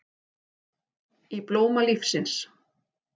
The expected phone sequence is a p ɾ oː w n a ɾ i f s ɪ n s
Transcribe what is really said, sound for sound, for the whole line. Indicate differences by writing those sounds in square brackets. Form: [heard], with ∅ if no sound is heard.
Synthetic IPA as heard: [i] p [l] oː w [m] a [l] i f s ɪ n s